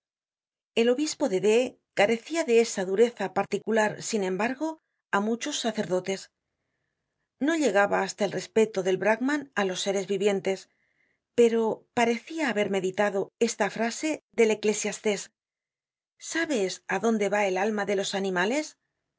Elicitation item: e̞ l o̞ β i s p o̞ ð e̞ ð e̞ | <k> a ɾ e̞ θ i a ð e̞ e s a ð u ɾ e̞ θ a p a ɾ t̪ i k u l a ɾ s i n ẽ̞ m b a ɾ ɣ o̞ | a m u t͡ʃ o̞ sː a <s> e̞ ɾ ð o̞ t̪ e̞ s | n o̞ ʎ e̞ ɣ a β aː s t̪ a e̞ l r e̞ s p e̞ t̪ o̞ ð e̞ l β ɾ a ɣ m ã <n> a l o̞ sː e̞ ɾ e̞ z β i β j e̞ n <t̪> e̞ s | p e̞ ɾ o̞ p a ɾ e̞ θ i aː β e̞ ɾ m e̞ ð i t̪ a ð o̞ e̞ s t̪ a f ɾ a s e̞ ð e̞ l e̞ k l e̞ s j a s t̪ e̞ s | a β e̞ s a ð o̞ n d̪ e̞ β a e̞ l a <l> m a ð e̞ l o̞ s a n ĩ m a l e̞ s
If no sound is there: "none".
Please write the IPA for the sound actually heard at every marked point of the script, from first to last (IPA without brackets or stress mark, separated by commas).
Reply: k, θ, n, t̪, l